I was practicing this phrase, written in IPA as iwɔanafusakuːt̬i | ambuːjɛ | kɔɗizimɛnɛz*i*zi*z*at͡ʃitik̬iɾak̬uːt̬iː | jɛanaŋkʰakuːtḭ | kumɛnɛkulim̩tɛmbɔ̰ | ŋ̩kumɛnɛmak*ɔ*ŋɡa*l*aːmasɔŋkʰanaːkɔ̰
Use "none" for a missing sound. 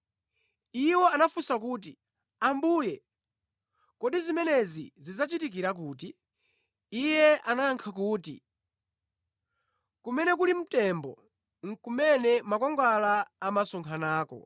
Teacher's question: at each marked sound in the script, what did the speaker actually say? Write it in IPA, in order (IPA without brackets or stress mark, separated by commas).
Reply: i, z, ɔ, l